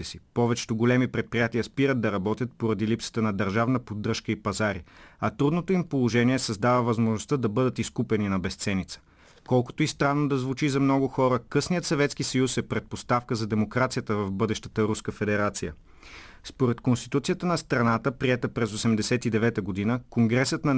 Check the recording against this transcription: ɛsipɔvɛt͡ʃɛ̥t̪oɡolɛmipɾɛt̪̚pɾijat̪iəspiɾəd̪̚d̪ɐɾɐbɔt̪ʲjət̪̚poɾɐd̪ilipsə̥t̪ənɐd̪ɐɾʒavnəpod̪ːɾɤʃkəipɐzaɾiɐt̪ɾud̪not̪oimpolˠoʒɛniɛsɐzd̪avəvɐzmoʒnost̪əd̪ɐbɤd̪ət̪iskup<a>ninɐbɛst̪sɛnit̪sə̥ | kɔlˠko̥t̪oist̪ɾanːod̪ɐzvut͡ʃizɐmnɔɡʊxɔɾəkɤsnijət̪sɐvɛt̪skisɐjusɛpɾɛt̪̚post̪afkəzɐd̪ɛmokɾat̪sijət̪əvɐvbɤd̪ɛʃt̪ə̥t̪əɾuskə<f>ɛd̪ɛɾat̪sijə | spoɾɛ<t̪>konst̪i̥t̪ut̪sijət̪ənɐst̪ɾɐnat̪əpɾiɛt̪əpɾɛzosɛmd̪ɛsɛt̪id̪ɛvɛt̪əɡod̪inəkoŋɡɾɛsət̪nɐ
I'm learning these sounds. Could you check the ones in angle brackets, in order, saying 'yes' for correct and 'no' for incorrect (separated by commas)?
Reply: no, yes, yes